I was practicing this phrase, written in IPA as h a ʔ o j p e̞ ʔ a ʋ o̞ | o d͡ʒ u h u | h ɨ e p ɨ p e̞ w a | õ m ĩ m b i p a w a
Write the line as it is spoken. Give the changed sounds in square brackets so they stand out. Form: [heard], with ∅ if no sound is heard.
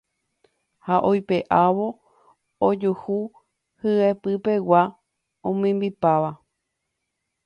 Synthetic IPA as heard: h a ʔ o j p e̞ ʔ a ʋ o̞ | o d͡ʒ u h u | h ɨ e p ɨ p e̞ w a | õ m ĩ m b i p a [ʋ] a

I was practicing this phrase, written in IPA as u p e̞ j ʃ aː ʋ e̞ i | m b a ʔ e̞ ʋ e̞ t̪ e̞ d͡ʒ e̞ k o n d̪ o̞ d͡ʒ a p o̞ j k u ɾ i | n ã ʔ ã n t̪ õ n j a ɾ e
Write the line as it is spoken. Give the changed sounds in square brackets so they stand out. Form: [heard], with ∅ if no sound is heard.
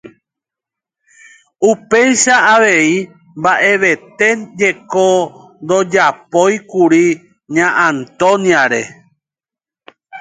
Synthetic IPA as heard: u p e̞ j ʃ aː ʋ e̞ i | m b a ʔ e̞ ʋ e̞ t̪ e̞ d͡ʒ e̞ k o n d̪ o̞ d͡ʒ a p o̞ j k u ɾ i | [ɲ] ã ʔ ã n t̪ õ n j a ɾ e

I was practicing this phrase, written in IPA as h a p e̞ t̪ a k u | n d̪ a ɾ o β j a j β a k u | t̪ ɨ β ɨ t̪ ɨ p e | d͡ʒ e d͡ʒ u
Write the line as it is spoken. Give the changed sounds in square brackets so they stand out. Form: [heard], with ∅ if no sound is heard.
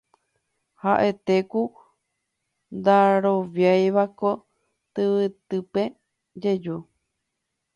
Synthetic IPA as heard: h a [ʔ] e̞ t̪ [e] k u | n d̪ a ɾ o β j a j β a k [o] | t̪ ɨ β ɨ t̪ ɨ p e | d͡ʒ e d͡ʒ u

